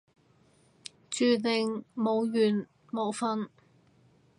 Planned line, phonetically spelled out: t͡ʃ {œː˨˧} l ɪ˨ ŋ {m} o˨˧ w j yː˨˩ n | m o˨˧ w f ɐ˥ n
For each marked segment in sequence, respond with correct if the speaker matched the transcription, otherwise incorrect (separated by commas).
incorrect, correct